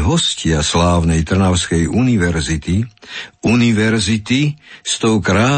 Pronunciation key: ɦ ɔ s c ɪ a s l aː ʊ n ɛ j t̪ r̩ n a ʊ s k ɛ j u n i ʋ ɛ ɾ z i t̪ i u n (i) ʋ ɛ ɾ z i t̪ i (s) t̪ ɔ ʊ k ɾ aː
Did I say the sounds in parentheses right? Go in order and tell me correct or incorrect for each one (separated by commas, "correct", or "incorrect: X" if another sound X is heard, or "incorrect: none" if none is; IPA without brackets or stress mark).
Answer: correct, correct